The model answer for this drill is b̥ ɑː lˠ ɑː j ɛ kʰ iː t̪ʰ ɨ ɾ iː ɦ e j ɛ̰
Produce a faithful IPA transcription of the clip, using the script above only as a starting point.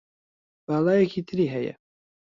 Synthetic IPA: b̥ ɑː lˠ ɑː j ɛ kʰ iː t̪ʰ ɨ ɾ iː ɦ ɛ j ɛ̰

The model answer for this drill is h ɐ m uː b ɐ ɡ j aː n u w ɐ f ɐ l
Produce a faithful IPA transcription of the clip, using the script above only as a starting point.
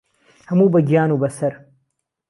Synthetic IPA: h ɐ m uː b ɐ ɡ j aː n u b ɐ s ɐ ɾ

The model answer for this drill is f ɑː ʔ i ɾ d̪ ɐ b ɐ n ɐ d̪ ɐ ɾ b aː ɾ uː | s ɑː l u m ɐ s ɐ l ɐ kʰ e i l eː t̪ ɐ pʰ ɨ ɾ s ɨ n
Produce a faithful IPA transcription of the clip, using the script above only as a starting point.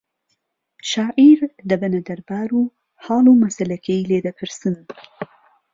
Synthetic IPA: ʃ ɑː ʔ i ɾ d̪ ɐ b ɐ n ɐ d̪ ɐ ɾ b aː ɾ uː | h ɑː l u m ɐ s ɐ l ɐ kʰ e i l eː d̪ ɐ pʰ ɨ ɾ s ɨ n

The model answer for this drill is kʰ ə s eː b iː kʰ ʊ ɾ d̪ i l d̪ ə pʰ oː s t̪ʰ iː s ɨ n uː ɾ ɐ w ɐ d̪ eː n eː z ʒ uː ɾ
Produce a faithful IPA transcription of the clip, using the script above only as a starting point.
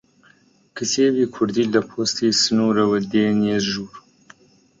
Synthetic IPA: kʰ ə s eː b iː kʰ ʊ ɾ d̪ i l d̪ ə pʰ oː s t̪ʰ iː s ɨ n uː ɾ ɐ w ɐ d̪ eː n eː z ʒ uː ɾ

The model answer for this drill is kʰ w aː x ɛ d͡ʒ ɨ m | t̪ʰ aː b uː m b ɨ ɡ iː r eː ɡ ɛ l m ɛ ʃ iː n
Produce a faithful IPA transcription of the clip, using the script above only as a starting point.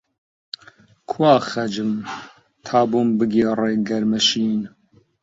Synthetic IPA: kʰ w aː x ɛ d͡ʒ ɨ m | t̪ʰ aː b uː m b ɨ ɡ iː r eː ɡ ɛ ɾ m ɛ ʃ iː n

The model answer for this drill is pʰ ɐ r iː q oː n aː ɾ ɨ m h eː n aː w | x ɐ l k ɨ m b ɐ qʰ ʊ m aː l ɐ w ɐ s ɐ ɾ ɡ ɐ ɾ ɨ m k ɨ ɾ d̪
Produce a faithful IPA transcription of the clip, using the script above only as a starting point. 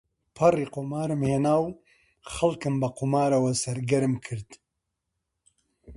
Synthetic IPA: pʰ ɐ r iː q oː m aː ɾ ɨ m h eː n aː w | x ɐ l k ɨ m b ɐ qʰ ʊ m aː ɾ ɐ w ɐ s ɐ ɾ ɡ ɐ ɾ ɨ m kʰ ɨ ɾ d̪

